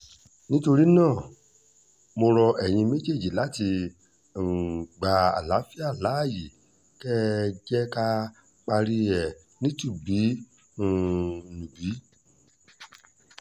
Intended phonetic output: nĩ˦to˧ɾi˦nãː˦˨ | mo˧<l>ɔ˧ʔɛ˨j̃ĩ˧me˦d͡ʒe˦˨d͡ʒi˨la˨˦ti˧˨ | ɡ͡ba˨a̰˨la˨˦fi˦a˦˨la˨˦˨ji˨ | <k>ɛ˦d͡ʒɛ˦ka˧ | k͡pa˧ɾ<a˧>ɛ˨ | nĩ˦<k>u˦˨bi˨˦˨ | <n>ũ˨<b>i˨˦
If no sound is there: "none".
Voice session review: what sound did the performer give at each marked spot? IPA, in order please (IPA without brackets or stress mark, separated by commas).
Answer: ɾ, k, i˧, t, n, b